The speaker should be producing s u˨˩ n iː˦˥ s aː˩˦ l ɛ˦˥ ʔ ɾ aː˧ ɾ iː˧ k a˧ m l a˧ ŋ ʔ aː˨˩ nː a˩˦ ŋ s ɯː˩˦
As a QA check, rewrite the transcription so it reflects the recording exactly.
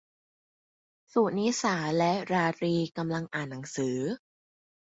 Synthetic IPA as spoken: s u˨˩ n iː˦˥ s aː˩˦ l ɛ˦˥ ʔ ɾ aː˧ ɾ iː˧ k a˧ m l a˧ ŋ ʔ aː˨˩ nː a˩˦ ŋ s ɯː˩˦